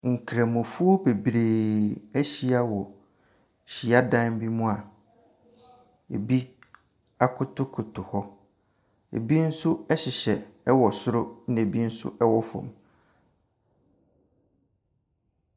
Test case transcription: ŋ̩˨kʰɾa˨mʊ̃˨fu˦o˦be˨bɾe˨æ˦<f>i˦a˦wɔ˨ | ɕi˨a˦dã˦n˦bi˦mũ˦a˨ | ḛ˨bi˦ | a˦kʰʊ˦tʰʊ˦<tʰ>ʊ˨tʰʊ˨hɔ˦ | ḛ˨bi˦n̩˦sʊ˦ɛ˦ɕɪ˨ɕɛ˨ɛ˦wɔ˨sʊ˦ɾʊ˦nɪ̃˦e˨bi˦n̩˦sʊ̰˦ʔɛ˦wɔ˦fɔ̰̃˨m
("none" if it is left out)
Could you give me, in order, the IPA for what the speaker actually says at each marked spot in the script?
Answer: ɕ, kʰ

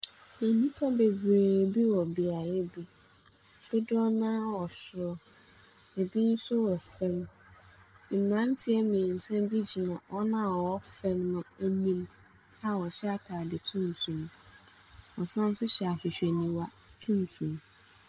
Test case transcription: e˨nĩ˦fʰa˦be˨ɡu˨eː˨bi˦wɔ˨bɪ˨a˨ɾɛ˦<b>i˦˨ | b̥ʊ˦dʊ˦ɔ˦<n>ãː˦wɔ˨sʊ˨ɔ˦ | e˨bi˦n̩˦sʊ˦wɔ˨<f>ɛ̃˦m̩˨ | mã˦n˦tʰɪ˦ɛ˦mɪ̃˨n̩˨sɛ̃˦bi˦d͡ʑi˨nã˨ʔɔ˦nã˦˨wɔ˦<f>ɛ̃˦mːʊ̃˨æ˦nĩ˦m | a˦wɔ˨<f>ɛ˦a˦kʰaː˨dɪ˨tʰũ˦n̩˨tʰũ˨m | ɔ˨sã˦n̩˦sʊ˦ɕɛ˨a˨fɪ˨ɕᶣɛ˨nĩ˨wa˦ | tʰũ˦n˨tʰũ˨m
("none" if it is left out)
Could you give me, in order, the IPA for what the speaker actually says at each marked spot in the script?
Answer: b, n, f, f, ɕ

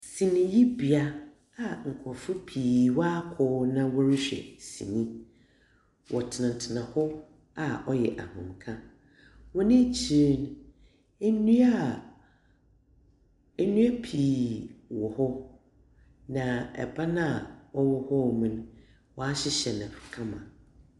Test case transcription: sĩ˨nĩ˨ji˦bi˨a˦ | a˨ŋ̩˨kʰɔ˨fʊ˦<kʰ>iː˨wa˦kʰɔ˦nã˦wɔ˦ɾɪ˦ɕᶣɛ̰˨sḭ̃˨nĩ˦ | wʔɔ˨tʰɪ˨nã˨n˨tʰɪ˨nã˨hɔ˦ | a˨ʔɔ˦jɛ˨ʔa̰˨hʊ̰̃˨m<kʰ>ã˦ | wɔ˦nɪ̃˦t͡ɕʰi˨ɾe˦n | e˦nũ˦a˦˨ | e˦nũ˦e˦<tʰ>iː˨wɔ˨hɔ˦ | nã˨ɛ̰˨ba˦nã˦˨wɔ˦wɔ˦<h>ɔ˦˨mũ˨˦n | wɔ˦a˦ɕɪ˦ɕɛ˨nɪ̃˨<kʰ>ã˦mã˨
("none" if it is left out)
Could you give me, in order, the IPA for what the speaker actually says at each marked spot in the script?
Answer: pʰ, kʰ, pʰ, h, kʰ

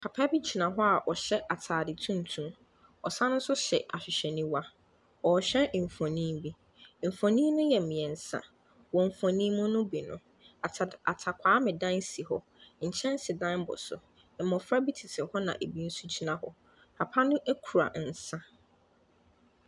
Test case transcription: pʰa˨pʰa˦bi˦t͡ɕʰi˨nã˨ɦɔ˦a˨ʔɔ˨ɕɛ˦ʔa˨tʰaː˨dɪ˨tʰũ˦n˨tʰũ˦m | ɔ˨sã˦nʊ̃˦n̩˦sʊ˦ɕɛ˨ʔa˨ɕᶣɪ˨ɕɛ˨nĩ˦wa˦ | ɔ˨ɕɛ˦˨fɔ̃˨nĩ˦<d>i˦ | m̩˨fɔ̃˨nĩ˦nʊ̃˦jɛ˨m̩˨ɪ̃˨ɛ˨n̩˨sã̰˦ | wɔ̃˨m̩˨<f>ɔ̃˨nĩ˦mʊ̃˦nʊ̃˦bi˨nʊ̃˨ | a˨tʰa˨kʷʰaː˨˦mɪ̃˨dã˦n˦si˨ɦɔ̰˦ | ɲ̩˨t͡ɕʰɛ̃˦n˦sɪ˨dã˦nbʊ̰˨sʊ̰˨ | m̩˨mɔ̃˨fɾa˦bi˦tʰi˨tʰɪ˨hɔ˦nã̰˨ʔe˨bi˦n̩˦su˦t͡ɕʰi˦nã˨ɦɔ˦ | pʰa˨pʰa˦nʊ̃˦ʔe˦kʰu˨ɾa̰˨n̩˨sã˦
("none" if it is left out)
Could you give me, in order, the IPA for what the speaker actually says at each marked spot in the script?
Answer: b, f

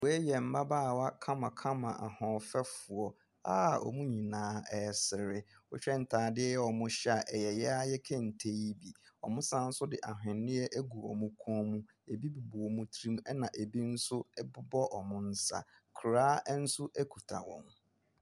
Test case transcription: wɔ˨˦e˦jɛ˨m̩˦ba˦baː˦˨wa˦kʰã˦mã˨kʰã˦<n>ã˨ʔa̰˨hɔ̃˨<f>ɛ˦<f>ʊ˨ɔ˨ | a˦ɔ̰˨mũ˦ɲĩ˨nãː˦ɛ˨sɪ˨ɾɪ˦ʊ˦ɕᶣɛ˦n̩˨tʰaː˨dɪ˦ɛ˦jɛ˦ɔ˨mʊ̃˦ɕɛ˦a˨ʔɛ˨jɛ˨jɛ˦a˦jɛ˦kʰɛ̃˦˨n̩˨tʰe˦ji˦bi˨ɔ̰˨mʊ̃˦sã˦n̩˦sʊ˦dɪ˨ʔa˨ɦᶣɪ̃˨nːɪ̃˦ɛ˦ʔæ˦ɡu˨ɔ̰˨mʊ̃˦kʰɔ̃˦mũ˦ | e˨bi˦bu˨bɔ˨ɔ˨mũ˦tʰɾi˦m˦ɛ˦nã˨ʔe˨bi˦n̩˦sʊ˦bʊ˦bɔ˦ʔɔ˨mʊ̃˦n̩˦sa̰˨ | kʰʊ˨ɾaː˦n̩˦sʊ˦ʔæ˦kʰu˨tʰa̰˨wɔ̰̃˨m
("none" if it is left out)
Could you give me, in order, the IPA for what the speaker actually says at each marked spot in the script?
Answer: m, f, f

